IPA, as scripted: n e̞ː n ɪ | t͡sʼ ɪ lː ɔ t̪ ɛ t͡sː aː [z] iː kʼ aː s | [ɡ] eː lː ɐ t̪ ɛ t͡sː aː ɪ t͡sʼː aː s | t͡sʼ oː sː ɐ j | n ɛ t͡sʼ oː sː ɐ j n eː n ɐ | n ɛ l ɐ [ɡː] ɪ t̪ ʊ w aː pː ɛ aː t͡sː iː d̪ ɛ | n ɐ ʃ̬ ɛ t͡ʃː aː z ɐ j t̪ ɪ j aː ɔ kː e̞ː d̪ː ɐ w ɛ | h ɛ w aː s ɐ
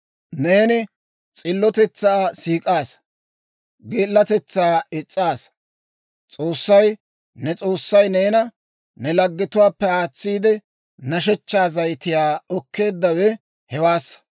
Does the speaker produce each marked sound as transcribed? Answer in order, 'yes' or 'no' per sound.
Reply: no, yes, yes

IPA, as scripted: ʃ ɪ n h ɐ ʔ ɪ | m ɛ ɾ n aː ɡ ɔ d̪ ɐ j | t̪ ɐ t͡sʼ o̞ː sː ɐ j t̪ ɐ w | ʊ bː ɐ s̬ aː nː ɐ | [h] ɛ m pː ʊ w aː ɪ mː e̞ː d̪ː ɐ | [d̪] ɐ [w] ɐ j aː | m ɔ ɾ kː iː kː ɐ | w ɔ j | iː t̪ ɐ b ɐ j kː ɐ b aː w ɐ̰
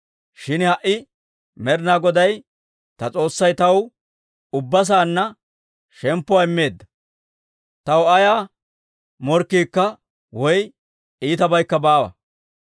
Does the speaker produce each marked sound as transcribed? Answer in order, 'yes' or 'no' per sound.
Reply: no, no, yes

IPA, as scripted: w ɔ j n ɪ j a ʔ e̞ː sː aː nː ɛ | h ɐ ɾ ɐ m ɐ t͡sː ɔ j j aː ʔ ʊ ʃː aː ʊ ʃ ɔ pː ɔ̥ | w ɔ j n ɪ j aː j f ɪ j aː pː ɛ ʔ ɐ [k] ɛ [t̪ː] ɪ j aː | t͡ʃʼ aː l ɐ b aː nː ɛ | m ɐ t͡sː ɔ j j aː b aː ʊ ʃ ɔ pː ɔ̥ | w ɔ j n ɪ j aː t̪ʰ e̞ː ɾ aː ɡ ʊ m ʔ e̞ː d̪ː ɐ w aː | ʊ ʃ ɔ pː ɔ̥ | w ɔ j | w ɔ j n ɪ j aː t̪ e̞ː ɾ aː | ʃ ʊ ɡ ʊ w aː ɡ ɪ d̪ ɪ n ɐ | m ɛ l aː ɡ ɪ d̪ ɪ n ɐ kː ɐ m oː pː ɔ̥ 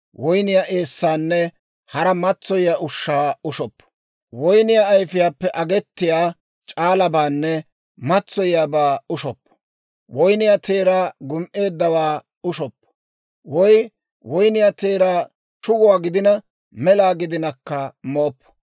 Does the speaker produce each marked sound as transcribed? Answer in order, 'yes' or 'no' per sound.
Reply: no, yes

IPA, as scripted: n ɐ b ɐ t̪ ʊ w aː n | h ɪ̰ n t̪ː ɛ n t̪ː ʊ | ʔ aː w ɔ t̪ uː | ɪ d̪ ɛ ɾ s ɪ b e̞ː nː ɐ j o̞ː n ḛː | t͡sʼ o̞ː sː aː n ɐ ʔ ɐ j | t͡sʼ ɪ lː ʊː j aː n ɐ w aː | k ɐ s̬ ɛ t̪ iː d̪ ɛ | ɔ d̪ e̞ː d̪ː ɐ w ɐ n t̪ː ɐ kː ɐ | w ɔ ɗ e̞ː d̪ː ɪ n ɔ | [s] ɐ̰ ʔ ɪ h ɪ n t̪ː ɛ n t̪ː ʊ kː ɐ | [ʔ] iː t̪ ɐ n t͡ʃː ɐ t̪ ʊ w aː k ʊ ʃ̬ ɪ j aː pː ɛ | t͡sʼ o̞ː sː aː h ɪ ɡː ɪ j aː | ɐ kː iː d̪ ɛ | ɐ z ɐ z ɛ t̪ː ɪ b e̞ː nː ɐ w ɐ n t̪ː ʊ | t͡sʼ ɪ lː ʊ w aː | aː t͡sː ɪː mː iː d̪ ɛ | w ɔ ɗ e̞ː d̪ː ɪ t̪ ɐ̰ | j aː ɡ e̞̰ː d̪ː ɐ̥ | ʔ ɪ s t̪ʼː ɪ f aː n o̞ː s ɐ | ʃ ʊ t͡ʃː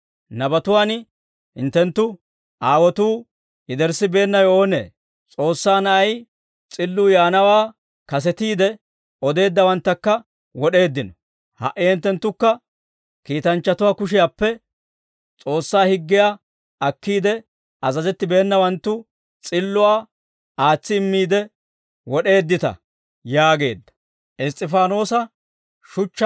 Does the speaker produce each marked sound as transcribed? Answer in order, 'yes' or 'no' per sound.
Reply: no, no

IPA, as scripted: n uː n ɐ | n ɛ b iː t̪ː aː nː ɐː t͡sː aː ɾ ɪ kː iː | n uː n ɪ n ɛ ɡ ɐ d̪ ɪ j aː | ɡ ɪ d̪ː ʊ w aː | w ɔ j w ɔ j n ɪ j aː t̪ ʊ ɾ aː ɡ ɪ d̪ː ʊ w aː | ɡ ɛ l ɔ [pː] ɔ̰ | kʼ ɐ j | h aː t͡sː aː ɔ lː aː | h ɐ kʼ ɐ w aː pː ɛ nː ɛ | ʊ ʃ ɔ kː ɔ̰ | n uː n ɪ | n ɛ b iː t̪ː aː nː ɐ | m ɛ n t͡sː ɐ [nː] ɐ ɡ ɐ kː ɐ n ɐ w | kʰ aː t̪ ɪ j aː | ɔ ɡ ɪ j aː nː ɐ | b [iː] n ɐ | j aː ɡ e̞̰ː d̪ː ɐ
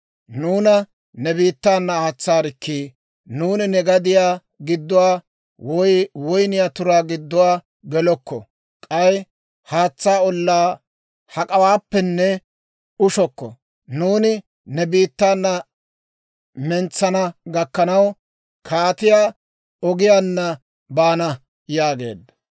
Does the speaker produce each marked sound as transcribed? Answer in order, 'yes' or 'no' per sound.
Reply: no, no, no

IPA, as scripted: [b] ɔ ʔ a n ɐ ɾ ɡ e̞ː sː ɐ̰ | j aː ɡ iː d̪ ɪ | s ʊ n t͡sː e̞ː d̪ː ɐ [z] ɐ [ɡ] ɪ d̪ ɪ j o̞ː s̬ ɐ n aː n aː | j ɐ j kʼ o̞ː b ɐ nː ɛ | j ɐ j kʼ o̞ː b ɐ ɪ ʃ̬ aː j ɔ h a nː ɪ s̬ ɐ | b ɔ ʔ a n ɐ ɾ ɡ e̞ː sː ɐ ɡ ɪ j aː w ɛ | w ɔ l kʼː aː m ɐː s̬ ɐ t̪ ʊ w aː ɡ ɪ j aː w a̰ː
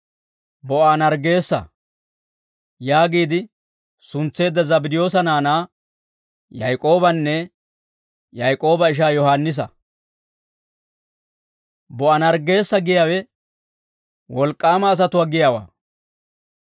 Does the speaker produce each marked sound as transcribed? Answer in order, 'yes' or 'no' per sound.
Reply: yes, yes, no

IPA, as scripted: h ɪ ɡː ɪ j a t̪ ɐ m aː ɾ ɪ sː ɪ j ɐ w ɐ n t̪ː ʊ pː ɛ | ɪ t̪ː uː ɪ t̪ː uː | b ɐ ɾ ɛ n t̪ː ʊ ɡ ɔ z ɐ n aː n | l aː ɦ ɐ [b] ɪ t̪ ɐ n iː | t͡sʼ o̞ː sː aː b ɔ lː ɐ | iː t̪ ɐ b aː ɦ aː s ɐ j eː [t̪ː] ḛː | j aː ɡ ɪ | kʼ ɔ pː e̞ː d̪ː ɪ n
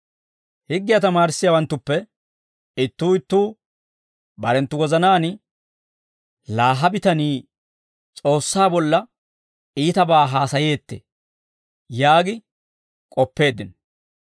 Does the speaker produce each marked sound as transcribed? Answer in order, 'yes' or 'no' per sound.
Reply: yes, yes

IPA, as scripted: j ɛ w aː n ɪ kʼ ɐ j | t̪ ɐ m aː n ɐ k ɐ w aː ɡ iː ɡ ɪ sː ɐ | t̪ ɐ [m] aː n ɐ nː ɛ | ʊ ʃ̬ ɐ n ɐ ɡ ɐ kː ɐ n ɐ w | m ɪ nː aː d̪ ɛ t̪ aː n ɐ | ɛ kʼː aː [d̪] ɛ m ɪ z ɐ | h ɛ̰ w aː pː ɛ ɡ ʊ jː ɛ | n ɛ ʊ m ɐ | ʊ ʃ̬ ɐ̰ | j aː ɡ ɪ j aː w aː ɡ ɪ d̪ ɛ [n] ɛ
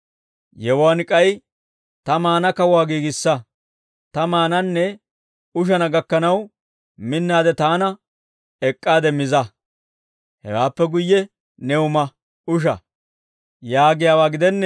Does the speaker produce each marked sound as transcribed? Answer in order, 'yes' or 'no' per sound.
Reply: yes, yes, no

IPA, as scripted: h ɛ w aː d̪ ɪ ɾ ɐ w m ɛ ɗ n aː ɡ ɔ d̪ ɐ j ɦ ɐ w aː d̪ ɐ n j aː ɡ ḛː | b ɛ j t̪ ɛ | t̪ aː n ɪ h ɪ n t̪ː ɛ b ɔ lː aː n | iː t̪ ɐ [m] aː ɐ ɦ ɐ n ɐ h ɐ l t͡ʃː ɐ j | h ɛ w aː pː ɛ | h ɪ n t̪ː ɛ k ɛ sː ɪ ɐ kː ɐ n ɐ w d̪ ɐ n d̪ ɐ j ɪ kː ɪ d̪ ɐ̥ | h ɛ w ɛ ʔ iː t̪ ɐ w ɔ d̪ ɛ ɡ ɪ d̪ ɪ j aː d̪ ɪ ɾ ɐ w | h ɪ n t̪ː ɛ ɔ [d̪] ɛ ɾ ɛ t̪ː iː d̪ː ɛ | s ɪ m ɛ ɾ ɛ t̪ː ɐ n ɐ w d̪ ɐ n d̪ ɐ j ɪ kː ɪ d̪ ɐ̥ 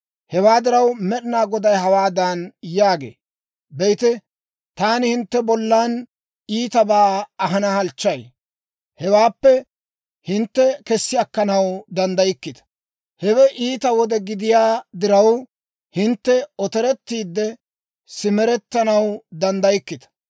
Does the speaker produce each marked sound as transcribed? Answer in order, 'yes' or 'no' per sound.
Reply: no, no

